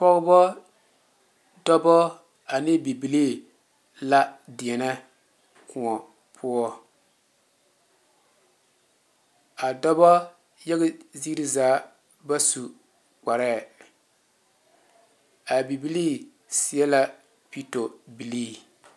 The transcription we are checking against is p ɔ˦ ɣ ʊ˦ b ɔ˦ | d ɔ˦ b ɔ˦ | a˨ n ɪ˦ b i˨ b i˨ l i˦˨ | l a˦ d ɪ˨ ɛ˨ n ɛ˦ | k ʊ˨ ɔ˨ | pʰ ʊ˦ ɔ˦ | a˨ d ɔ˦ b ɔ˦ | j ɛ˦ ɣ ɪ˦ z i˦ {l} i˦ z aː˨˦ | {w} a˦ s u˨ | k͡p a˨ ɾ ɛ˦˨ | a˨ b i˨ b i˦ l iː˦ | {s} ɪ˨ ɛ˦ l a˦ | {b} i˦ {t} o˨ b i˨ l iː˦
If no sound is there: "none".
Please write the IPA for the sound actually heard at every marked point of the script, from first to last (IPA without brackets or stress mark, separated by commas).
ɾ, b, s, p, t